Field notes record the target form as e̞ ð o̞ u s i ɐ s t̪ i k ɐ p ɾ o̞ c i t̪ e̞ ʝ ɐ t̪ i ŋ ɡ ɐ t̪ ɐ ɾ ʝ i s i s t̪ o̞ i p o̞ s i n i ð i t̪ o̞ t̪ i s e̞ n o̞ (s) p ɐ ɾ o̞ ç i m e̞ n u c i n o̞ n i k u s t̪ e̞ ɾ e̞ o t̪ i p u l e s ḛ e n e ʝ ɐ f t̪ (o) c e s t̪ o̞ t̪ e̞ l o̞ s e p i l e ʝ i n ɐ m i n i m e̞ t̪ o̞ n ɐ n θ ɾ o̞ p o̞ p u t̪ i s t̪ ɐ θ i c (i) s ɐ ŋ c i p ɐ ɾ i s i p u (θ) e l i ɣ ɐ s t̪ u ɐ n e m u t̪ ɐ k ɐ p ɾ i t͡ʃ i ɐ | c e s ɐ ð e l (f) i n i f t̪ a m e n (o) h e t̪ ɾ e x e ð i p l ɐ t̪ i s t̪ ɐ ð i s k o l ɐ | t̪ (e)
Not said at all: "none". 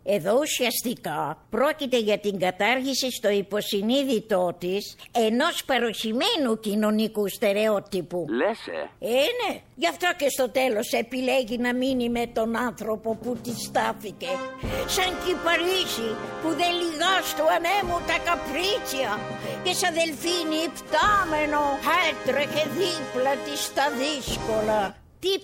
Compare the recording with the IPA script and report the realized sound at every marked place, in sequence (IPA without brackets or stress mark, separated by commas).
s, o, e, ð, f, o, i